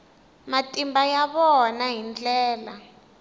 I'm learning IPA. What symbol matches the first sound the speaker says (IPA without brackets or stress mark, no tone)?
m